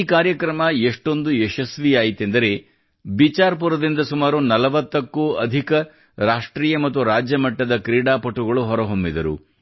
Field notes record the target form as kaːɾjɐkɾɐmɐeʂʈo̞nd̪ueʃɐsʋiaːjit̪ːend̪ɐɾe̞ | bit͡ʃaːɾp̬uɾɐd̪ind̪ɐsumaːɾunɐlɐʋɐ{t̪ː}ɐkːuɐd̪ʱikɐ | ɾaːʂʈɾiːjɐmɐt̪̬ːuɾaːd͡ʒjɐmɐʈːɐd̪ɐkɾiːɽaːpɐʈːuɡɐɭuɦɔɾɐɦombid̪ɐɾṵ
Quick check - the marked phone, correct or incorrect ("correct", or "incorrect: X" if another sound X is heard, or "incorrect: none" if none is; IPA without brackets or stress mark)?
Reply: correct